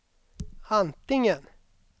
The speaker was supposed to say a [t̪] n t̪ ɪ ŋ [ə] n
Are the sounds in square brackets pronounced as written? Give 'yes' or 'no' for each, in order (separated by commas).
no, yes